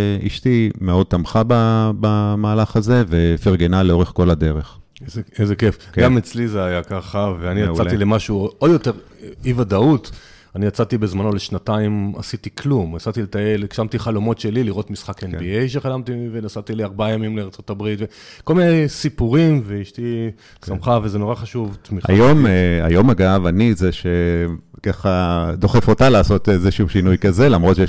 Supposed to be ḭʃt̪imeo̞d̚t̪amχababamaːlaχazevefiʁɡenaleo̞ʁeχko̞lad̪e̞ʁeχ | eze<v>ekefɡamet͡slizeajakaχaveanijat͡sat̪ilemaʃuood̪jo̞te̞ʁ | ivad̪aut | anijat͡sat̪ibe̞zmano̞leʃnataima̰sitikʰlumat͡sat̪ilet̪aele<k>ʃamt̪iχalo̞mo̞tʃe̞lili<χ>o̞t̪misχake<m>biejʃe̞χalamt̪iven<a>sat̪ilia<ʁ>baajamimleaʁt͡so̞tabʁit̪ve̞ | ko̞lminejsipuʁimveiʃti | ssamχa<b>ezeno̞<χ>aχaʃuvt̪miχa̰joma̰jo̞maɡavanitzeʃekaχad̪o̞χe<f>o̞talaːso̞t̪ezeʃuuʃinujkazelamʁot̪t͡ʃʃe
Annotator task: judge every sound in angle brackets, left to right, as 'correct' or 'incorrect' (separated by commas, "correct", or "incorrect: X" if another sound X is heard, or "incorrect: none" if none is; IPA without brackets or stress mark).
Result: incorrect: z, correct, incorrect: ʁ, incorrect: n, correct, correct, incorrect: v, incorrect: ʁ, correct